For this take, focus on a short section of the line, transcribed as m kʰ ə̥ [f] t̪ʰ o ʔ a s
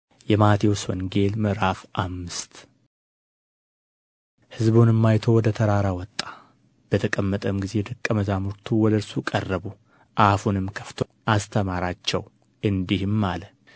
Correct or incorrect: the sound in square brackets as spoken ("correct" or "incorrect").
correct